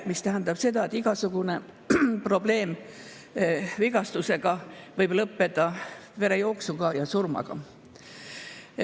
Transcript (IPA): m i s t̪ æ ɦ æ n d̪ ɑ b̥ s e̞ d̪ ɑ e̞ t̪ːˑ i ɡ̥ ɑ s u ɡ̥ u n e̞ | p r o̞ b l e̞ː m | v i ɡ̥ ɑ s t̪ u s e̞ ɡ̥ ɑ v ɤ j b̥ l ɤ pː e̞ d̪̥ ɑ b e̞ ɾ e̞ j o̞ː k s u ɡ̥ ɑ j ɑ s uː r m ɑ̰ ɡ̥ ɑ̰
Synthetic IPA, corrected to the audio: m i s t̪ æ ɦ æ n d̪ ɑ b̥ s e̞ d̪ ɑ e̞ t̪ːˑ i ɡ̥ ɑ s u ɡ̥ u n e̞ | p r o̞ b l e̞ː m | v i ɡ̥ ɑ s t̪ u s e̞ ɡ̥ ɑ v ɤ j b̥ l ɤ pː e̞ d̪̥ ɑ v e̞ ɾ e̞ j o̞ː k s u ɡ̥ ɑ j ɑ s u r m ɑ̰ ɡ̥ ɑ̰